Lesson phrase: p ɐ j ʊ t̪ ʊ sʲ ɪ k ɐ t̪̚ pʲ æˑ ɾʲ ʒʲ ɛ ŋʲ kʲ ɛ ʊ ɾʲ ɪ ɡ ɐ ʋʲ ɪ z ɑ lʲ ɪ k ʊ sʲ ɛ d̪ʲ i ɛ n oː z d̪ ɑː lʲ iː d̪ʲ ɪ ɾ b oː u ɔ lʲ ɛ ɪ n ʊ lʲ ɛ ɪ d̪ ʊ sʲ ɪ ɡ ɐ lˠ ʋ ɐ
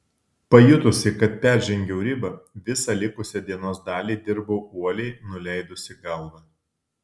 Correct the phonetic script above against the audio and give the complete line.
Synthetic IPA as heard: p ɐ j ʊ t̪ ʊ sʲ ɪ k ɐ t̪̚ pʲ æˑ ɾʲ ʒʲ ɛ ŋʲ ɡʲ ɛ ʊ ɾʲ ɪ b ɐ ʋʲ ɪ s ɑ lʲ ɪ k ʊ sʲ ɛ d̪ʲ i ɛ n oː s d̪ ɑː lʲ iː d̪ʲ ɪ ɾ b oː u ɔ lʲ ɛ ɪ n ʊ lʲ ɛ ɪ d̪ ʊ sʲ ɪ ɡ ɐ lˠ ʋ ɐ